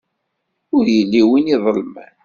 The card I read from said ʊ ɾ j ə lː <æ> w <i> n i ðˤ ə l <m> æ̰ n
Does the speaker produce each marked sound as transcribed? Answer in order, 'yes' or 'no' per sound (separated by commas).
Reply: no, yes, yes